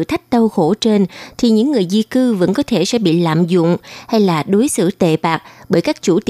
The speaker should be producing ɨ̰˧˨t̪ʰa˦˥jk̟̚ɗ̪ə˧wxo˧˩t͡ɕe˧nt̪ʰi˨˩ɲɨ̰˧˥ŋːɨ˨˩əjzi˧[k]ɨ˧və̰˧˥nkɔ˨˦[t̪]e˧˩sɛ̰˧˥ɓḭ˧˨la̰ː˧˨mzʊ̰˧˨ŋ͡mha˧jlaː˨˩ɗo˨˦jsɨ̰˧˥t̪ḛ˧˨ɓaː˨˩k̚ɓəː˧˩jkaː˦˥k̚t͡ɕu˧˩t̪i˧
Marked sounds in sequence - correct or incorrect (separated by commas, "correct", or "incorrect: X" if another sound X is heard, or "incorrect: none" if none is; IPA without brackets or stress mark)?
correct, incorrect: t̪ʰ